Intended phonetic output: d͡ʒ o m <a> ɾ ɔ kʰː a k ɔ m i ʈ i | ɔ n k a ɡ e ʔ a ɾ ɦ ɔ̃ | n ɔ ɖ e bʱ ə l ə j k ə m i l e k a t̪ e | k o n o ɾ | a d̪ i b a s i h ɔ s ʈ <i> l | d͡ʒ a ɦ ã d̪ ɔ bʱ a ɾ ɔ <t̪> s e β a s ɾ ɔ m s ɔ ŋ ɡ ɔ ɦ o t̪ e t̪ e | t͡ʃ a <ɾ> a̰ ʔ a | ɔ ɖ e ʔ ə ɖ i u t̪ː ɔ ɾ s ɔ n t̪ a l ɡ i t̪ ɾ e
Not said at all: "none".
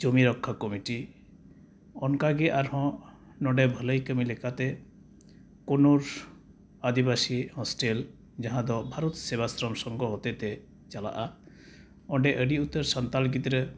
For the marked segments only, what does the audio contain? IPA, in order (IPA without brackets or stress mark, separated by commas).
i, e, t̪, l